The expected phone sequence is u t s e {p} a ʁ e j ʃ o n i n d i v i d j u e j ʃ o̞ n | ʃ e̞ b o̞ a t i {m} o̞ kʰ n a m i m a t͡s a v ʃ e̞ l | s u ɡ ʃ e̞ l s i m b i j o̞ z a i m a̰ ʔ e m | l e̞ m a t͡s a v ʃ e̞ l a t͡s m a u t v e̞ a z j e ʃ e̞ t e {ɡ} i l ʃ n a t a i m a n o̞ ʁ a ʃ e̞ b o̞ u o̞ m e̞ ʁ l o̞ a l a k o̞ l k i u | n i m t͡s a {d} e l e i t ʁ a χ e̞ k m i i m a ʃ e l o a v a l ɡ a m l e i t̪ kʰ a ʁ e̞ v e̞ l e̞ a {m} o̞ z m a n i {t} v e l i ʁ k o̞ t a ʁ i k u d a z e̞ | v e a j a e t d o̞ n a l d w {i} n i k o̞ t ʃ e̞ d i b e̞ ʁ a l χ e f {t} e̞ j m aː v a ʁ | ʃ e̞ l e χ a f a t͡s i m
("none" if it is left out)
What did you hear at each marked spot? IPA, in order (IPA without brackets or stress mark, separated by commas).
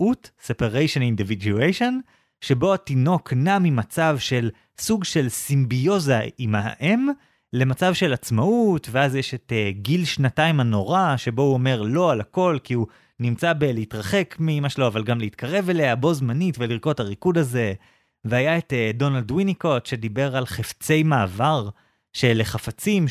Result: p, n, ɡ, b, b, t, i, t͡s